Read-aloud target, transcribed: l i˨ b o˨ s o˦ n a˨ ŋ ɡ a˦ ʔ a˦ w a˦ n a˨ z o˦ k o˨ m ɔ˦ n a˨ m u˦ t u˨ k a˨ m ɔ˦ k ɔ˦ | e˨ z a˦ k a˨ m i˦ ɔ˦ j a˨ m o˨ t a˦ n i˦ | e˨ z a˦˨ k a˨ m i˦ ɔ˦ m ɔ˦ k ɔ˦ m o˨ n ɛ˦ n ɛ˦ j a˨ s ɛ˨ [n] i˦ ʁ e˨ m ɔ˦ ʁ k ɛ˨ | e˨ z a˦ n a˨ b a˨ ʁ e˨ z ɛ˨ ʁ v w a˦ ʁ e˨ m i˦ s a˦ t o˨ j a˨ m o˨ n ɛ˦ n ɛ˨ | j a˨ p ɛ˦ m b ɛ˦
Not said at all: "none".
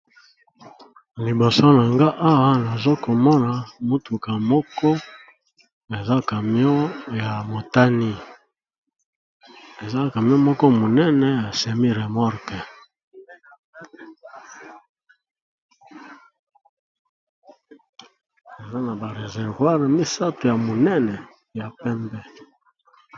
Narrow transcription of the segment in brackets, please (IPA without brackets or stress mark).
m